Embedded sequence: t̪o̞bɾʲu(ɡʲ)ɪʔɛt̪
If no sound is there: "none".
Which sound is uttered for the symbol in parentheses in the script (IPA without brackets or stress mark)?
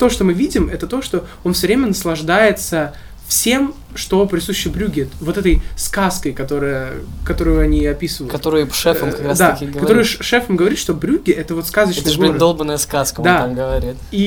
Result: ɡʲ